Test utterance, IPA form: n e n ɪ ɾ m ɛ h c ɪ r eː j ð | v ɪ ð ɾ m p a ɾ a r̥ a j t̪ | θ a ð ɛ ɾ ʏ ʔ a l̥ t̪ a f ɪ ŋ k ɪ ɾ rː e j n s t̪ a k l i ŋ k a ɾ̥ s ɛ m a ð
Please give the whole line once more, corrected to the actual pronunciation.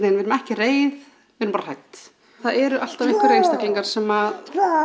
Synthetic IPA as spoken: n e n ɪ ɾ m ɛ h c ɪ r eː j ð | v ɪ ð ɾ m p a ɾ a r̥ a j t̪ | θ a ð ɛ ɾ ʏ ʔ a l̥ t̪ a v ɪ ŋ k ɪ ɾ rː e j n s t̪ a k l i ŋ k a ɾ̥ s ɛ m a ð